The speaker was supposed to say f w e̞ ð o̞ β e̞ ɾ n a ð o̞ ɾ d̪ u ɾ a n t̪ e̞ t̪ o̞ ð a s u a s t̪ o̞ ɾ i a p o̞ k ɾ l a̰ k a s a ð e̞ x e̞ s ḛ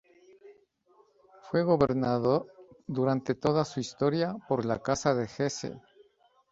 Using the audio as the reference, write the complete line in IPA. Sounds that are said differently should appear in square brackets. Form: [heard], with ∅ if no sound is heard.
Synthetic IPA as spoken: f w e̞ [ɣ] o̞ β e̞ ɾ n a ð o̞ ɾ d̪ u ɾ a n t̪ e̞ t̪ o̞ ð a s u [i] s t̪ o̞ ɾ [j] a p o̞ [∅] ɾ l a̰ k a s a ð e̞ x e̞ s ḛ